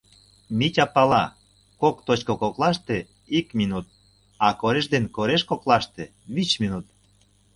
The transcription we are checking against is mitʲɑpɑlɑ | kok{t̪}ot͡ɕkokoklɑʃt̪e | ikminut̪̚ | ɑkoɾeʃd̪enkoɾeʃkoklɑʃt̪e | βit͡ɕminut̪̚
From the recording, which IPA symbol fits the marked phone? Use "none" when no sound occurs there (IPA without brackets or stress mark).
t̪